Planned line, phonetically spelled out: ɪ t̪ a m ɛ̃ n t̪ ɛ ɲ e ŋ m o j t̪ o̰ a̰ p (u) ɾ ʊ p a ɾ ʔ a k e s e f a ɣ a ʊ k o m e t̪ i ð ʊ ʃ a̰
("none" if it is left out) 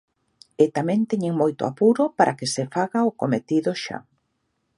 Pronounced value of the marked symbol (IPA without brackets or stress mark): u